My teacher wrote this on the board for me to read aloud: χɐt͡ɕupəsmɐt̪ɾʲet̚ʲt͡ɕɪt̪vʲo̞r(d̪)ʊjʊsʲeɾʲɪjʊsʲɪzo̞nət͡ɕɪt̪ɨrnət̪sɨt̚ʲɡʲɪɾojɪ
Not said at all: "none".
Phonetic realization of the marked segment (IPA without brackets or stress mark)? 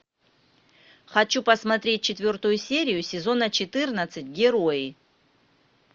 t̪